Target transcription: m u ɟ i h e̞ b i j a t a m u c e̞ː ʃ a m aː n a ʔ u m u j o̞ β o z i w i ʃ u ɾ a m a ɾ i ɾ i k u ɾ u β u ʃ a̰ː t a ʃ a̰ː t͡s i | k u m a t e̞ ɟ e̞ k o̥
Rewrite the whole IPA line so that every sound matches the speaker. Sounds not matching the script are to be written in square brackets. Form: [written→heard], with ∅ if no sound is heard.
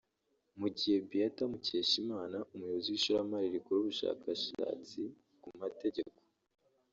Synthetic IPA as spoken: m u ɟ i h e̞ b i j a t a m u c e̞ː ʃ [a→i] m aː n a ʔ u m u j o̞ β o z i w i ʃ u ɾ a m a ɾ i ɾ i k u ɾ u β u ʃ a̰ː [t→k] a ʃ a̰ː t͡s i | k u m a t e̞ ɟ e̞ k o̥